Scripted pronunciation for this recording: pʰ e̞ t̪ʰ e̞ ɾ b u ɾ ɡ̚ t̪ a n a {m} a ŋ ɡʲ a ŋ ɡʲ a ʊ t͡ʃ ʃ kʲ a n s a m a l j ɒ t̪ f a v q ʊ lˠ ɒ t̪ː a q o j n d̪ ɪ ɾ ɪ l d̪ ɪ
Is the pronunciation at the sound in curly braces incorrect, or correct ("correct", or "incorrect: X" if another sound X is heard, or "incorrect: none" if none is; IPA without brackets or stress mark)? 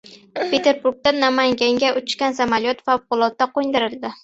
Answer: correct